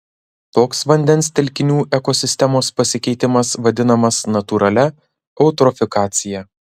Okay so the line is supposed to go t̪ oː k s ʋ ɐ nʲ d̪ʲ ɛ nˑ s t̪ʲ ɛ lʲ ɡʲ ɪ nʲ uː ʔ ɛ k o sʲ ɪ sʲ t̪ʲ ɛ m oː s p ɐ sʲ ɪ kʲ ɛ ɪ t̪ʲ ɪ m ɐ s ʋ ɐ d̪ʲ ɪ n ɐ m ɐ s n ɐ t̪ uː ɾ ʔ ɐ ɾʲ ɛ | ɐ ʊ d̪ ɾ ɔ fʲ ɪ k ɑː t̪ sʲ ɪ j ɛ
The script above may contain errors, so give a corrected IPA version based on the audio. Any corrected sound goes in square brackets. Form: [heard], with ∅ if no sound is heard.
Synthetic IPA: t̪ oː k s ʋ ɐ nʲ d̪ʲ ɛ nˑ s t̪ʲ ɛ lʲ [kʲ] ɪ nʲ uː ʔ ɛ k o sʲ ɪ sʲ t̪ʲ ɛ m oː s p ɐ sʲ ɪ kʲ ɛ ɪ t̪ʲ ɪ m ɐ s ʋ ɐ d̪ʲ ɪ n ɐ m ɐ s n ɐ t̪ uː ɾ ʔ ɐ [lʲ] ɛ | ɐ ʊ [t̪] ɾ ɔ fʲ ɪ k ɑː t̪ sʲ ɪ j ɛ